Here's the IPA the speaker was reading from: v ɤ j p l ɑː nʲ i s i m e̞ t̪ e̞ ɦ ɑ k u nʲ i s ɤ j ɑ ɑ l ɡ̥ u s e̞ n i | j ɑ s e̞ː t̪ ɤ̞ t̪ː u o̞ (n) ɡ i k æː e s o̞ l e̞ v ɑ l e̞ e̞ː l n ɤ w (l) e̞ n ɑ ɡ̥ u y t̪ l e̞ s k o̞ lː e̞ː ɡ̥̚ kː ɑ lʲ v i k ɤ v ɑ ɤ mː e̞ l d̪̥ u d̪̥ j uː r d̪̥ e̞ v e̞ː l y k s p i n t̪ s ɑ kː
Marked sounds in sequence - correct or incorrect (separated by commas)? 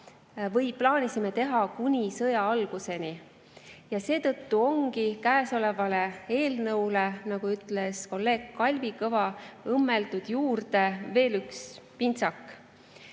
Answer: incorrect, correct